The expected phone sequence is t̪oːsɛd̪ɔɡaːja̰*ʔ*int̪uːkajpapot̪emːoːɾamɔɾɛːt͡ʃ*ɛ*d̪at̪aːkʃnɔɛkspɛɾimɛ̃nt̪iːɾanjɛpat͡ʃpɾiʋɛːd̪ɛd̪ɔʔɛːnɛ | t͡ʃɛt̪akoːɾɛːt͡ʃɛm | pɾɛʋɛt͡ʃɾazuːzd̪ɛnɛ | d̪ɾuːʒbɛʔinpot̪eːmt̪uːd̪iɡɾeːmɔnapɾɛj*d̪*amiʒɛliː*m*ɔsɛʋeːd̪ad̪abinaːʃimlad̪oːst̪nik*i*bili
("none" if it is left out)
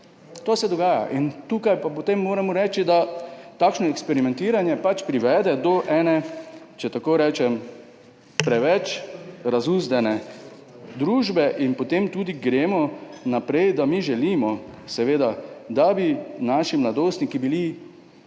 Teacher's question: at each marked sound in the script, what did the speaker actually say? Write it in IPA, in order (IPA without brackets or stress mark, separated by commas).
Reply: ʔ, i, d̪, m, i